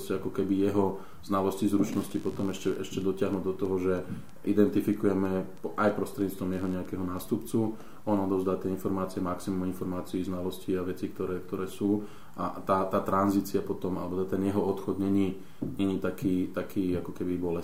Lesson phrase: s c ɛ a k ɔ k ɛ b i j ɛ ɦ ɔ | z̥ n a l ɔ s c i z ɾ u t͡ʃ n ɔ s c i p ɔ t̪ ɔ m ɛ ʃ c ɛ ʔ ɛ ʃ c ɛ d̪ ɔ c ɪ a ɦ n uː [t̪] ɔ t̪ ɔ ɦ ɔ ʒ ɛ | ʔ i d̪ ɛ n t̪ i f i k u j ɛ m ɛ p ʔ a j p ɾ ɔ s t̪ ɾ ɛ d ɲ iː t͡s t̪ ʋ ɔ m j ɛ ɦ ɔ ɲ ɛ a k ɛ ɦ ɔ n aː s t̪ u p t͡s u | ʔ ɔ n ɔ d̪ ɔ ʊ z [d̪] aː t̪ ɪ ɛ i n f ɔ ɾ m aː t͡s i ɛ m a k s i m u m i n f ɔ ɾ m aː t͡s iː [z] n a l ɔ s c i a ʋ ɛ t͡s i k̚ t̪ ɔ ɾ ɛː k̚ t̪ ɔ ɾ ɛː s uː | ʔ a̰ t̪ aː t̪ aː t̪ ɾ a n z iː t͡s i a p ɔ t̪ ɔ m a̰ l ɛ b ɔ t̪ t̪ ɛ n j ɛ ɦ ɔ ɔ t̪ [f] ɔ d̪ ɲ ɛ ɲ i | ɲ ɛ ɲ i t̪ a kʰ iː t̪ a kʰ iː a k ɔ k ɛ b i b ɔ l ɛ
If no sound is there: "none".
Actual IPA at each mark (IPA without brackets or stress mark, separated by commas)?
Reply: d̪, d̪, z, x